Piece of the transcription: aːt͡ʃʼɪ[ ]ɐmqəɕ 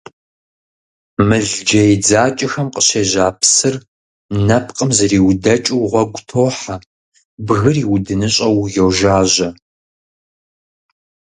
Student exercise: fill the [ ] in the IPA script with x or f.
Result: x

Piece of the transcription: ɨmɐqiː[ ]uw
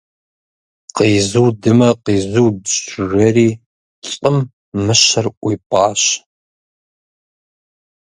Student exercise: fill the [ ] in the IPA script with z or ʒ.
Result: z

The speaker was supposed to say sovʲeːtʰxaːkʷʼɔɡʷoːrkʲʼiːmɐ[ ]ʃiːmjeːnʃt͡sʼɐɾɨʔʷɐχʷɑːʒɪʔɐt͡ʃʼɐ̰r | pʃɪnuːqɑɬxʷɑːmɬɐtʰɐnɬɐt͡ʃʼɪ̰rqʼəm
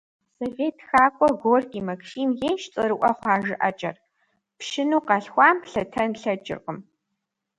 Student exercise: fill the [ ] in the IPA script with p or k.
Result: k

